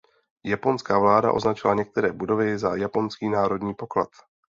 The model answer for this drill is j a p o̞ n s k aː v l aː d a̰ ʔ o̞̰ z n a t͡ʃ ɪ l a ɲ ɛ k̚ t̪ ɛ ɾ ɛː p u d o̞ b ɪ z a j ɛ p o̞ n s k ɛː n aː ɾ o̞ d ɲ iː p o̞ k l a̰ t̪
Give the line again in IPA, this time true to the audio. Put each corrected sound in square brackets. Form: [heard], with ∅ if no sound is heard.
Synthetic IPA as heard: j a p o̞ n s k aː v l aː d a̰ ʔ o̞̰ z n a t͡ʃ ɪ l a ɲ ɛ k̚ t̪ ɛ ɾ ɛː [b] u d o̞ [v] ɪ z a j [a] p o̞ n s k [iː] n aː ɾ o̞ d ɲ iː p o̞ k l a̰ t̪